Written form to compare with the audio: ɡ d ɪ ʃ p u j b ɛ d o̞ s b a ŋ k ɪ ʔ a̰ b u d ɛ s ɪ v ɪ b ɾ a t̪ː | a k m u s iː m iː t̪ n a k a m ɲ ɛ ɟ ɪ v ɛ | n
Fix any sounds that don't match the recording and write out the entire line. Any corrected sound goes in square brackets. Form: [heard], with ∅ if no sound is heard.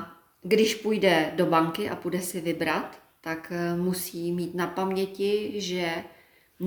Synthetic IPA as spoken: ɡ d ɪ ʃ p u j [d] ɛ d o̞ [∅] b a ŋ k ɪ ʔ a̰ [p] u d ɛ s ɪ v ɪ b ɾ a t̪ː | a k m u s iː m iː t̪ n a [p] a m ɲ ɛ [c] ɪ [ʒ] ɛ | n